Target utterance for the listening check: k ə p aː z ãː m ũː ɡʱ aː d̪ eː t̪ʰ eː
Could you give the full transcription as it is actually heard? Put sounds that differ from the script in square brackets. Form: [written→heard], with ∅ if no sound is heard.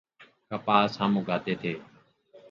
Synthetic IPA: k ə p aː [z→s] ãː m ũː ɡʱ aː [d̪→t̪] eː t̪ʰ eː